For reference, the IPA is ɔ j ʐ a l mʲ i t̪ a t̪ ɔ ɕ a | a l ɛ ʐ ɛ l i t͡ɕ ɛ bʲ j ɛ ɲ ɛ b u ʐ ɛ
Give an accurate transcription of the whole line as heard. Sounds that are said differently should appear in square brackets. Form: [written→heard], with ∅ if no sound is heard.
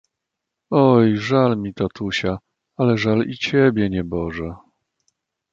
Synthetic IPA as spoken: ɔ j ʐ a l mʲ i t̪ a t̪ [ɔ→u] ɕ a | a l ɛ ʐ [ɛ→a] l i t͡ɕ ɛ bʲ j ɛ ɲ ɛ b [u→ɔ] ʐ ɛ